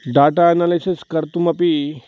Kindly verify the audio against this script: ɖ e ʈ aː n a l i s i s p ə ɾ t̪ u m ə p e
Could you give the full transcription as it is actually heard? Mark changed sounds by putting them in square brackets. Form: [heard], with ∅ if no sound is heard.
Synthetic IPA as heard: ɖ [a] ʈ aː n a l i s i s [k] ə ɾ t̪ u m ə p [i]